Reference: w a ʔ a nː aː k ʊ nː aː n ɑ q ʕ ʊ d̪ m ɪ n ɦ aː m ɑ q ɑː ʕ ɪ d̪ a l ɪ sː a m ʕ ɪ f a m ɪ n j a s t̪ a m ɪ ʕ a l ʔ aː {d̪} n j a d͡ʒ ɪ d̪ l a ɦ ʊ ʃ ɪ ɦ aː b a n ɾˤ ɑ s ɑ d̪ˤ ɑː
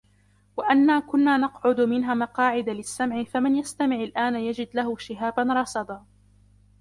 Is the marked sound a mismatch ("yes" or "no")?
yes